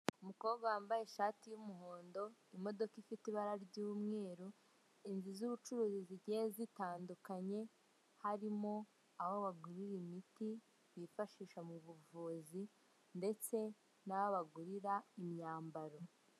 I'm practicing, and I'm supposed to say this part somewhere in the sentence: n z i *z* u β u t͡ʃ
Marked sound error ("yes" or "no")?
no